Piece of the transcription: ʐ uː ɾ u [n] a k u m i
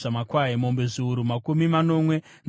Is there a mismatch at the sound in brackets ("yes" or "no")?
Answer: yes